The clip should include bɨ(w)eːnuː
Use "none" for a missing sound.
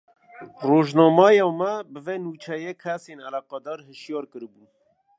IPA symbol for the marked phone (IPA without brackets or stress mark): v